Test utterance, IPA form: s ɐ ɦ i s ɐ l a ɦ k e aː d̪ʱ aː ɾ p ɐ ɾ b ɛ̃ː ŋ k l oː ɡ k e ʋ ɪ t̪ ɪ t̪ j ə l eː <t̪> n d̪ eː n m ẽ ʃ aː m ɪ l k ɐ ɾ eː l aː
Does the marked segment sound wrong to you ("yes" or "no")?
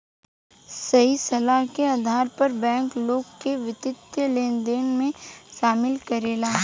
yes